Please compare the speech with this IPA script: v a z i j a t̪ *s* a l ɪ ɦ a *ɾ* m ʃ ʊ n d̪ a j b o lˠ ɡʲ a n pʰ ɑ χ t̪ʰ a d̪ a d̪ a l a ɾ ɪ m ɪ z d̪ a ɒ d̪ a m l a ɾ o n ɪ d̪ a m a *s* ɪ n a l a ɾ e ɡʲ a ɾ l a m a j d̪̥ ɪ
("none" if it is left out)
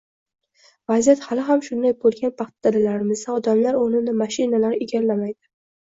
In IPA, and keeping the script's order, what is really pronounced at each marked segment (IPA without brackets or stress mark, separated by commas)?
h, none, ʃ